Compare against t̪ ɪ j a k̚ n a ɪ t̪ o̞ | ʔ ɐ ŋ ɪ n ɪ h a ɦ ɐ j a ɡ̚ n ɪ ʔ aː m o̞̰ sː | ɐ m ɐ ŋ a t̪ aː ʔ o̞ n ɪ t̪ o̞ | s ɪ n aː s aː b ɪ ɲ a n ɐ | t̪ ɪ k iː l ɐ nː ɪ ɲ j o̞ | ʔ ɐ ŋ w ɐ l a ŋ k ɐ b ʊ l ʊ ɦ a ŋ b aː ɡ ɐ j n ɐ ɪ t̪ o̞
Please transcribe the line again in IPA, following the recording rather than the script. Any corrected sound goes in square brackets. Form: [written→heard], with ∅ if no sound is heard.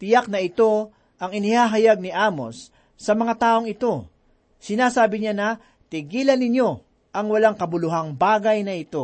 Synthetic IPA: t̪ ɪ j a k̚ n [a→ɐ] ɪ t̪ o̞ | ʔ ɐ ŋ ɪ n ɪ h a ɦ ɐ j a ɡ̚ n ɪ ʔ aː m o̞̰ sː | ɐ m ɐ ŋ a t̪ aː ʔ o̞ [n→ŋ] ɪ t̪ o̞ | s ɪ n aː s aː b ɪ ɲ a n ɐ | t̪ ɪ [k→ɡ] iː l ɐ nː ɪ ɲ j o̞ | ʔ ɐ ŋ w ɐ l a ŋ k ɐ b ʊ l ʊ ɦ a ŋ b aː ɡ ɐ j n ɐ ɪ t̪ o̞